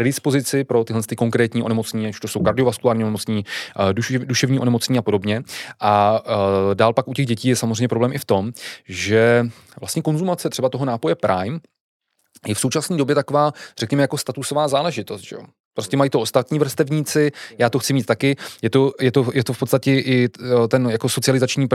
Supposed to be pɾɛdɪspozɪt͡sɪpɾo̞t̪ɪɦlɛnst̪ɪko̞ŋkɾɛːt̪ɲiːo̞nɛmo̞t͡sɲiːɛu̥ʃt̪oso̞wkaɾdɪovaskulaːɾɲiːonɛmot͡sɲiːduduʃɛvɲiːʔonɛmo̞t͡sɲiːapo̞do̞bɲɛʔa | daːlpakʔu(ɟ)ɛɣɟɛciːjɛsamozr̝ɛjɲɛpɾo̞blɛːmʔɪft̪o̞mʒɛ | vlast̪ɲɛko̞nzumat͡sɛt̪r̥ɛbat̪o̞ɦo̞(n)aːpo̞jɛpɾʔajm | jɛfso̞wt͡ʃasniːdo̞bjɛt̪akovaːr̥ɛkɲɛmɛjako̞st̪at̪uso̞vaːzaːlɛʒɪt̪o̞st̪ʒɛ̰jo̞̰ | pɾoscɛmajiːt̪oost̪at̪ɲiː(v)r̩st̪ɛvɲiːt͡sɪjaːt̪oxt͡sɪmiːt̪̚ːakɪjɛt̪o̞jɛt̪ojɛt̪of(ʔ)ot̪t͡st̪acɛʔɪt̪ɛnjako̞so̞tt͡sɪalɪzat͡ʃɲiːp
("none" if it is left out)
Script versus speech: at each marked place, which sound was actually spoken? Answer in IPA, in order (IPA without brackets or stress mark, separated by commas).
c, n, v, p